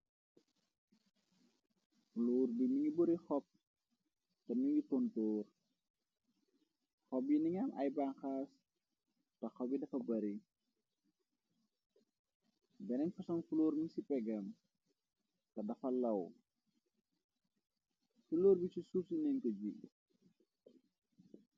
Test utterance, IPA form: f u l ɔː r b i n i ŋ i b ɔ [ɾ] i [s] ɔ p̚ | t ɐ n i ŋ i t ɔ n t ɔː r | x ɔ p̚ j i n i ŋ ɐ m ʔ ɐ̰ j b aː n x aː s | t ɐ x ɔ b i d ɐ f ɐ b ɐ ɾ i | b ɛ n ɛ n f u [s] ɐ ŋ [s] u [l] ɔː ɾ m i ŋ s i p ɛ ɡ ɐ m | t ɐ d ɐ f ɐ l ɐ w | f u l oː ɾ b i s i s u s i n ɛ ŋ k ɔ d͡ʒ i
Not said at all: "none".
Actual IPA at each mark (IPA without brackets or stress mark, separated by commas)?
ɾ, x, s, f, l